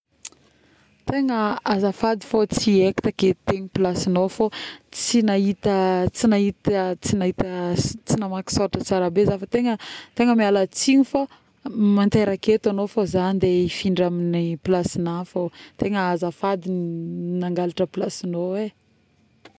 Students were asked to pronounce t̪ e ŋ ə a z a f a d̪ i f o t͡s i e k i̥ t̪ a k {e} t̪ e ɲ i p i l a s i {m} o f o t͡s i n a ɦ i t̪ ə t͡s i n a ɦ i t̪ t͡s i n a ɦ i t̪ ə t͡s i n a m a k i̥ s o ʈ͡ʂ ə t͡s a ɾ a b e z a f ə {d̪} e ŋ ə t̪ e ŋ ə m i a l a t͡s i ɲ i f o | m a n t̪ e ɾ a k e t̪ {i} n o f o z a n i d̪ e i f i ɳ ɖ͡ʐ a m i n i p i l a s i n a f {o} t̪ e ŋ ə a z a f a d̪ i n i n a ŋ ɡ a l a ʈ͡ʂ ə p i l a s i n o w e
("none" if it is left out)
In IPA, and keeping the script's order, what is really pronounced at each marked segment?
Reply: e, n, t̪, a, o

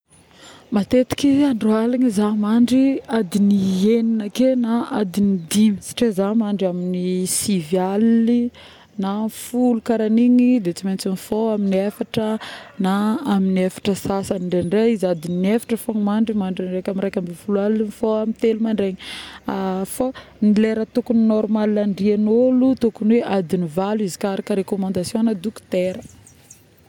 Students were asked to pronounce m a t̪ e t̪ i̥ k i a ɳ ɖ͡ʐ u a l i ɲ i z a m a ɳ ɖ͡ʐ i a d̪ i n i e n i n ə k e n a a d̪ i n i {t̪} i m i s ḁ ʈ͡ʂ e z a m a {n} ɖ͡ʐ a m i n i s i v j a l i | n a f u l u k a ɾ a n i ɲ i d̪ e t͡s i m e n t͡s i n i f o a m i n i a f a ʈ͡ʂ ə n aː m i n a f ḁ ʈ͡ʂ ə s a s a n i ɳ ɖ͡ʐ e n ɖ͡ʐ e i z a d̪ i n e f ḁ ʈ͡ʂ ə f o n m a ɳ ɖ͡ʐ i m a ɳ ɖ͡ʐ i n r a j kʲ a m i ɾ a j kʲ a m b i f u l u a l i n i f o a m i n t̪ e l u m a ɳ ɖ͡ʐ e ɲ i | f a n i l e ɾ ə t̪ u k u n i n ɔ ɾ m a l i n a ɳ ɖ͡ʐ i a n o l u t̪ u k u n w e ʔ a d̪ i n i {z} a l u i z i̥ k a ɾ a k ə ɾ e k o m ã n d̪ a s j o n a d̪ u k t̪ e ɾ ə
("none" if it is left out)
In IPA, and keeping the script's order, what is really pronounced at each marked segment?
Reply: d̪, ɳ, v

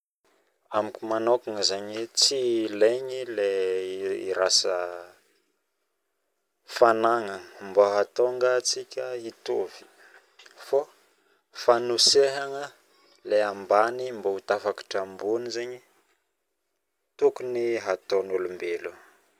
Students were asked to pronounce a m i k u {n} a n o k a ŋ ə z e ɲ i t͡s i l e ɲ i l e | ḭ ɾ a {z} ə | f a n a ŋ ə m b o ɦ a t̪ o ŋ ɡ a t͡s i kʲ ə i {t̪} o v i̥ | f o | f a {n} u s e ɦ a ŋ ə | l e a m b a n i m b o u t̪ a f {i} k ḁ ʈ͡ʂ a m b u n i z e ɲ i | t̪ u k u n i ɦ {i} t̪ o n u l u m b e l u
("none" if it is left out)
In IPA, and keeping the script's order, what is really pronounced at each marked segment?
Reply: m, s, t̪, n, a, a

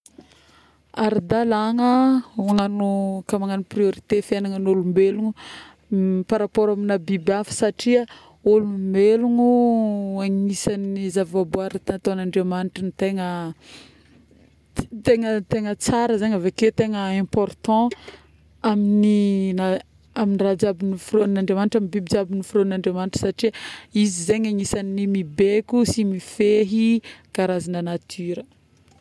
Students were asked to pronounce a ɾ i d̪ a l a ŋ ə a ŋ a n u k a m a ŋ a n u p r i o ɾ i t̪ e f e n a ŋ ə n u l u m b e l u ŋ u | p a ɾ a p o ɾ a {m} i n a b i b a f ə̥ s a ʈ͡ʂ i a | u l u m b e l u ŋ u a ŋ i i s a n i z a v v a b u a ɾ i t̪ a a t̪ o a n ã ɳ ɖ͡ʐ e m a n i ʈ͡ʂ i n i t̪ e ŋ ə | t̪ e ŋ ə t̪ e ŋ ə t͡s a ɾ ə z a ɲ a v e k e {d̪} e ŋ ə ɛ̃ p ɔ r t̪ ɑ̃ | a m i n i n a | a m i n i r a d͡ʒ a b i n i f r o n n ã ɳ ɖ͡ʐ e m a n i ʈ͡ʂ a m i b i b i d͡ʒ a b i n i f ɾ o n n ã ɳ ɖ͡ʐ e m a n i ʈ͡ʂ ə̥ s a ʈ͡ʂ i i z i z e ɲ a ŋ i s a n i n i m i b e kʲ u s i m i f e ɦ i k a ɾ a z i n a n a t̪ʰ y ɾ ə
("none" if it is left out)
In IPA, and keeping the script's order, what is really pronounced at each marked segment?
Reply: m, t̪

